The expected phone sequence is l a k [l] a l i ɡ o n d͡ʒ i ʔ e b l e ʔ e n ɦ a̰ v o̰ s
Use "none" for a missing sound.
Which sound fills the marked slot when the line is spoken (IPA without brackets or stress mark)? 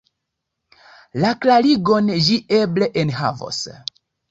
l